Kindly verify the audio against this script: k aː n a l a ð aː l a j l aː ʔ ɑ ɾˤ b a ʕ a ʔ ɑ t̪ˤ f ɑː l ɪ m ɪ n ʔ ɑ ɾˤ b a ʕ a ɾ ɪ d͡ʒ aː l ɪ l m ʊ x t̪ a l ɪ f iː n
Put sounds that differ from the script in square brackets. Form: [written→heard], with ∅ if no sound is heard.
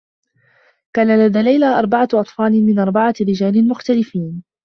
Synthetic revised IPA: k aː n a l a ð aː l a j l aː ʔ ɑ ɾˤ b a ʕ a ʔ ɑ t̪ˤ f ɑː l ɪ m ɪ n ʔ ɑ ɾˤ b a ʕ a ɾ ɪ d͡ʒ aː l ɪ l m ʊ x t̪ a l ɪ f iː n

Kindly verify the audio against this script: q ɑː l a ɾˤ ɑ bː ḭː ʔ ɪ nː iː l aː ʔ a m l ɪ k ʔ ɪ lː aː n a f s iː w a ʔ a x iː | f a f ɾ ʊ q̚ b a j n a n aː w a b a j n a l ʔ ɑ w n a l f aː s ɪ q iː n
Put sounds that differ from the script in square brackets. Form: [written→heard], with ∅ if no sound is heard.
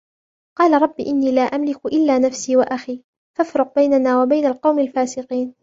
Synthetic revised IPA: q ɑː l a ɾˤ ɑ bː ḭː ʔ ɪ nː iː l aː ʔ a m l ɪ k ʔ ɪ lː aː n a f s iː w a ʔ a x iː | f a f ɾ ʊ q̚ b a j n a n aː w a b a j n a l [ʔ→q] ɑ w [n→m] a l f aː s ɪ q iː n

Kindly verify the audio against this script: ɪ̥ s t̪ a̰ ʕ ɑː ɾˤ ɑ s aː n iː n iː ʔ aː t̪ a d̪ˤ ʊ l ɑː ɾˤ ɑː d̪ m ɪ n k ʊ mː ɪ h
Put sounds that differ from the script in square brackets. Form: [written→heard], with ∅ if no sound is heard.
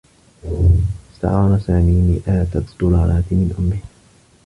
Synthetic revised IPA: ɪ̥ s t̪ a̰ ʕ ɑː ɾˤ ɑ s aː [n→m] iː n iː ʔ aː t̪ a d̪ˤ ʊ l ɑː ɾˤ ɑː [d̪→t̪] m ɪ n [k→ʔ] ʊ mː ɪ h

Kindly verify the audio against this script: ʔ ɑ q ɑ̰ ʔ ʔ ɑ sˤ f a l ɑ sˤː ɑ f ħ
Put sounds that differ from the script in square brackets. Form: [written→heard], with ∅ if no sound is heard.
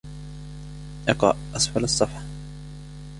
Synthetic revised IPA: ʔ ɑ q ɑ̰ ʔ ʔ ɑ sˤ f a l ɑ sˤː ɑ f ħ

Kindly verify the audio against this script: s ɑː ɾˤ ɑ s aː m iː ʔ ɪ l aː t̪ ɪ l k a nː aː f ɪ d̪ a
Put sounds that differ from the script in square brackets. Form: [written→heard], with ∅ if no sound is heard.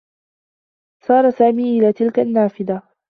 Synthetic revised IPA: s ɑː ɾˤ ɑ s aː m iː ʔ ɪ l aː t̪ ɪ l k a nː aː f ɪ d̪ a

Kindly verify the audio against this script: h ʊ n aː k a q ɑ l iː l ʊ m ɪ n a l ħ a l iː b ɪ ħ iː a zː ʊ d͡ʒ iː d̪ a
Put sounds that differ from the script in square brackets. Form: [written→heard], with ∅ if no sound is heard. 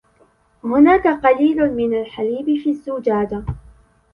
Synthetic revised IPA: h ʊ n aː k a q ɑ l iː l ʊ m ɪ n a l ħ a l iː b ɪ [ħ→f] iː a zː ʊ d͡ʒ [iː→aː] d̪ a

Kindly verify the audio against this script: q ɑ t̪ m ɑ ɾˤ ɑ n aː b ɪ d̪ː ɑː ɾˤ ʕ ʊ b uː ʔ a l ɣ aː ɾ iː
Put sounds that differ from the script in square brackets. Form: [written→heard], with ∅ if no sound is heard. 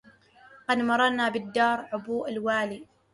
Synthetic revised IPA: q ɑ [t̪→d̪] m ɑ ɾˤ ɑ n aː b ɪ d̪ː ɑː ɾˤ ʕ ʊ b uː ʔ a l [ɣ→w] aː [ɾ→l] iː

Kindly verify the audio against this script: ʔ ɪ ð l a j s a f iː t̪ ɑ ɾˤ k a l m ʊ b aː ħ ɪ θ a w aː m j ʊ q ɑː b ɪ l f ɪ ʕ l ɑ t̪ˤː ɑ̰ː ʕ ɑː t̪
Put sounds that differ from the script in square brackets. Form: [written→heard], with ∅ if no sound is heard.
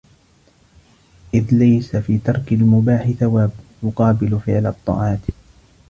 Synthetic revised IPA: ʔ ɪ ð l a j s a f iː t̪ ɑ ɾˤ k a l m ʊ b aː ħ ɪ θ a w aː [m→b] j ʊ q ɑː b ɪ l f ɪ ʕ l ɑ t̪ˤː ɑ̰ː ʕ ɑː t̪

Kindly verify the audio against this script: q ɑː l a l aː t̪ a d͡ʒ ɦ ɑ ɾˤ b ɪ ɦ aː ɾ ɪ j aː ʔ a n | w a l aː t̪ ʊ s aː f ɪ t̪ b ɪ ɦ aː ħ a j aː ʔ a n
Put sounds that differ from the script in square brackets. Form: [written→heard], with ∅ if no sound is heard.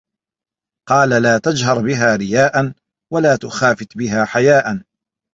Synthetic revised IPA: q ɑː l a l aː t̪ a d͡ʒ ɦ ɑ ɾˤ b ɪ ɦ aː ɾ ɪ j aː ʔ a n | w a l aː t̪ ʊ [s→x] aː f ɪ t̪ b ɪ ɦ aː ħ a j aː ʔ a n

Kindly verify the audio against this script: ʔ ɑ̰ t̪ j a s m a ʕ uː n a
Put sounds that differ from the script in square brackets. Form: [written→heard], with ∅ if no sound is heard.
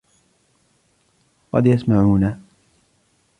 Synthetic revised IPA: [ʔ→q] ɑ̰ [t̪→d̪] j a s m a ʕ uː n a

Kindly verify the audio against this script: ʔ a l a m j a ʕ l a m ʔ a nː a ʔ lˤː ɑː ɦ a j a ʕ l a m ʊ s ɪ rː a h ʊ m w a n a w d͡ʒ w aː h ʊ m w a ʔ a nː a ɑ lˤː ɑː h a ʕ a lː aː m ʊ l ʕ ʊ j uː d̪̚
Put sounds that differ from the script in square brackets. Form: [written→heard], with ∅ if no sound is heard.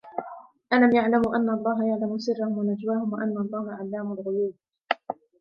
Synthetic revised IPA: ʔ a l a m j a ʕ l a m ʔ a nː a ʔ lˤː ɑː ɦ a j a ʕ l a m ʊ s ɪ rː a h ʊ m w a n a [w→∅] d͡ʒ w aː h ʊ m w a ʔ a nː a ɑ lˤː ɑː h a ʕ a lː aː m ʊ l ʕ ʊ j uː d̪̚

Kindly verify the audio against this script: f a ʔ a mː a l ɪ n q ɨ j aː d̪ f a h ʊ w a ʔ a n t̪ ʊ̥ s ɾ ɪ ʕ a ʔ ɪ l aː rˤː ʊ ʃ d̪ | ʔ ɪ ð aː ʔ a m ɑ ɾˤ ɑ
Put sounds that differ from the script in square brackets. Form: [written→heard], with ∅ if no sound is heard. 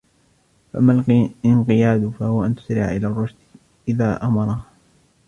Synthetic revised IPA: f a ʔ a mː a l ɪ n q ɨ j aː d̪ f a h ʊ w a ʔ a n t̪ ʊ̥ s ɾ ɪ ʕ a ʔ ɪ l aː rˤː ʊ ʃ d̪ | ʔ ɪ ð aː ʔ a m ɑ ɾˤ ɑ

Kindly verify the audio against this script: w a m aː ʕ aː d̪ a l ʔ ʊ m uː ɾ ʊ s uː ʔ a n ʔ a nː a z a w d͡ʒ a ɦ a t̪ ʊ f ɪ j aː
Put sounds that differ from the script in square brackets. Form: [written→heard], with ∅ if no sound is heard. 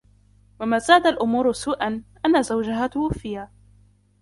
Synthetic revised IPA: w a m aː [ʕ→z] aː d̪ a l ʔ ʊ m uː ɾ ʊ s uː ʔ a n ʔ a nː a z a w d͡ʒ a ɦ a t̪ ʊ f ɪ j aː

